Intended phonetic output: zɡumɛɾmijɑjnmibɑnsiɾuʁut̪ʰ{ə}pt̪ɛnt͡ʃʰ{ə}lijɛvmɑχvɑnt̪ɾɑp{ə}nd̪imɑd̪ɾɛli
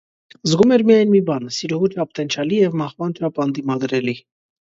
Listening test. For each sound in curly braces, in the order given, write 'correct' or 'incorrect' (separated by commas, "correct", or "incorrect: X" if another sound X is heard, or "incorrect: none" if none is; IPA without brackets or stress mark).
incorrect: ɑ, incorrect: ɑ, incorrect: ɑ